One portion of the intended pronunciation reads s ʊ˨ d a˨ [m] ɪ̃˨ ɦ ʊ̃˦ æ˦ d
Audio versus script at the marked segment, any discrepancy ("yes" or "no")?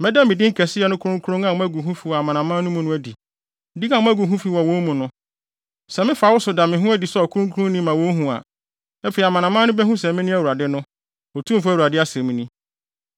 no